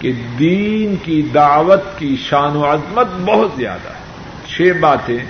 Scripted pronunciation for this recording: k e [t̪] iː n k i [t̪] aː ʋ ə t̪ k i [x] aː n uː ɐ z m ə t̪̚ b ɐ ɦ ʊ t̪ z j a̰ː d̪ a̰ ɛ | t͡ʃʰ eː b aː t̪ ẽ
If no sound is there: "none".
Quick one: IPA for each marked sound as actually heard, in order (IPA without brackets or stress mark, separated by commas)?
d̪, d̪, ʃ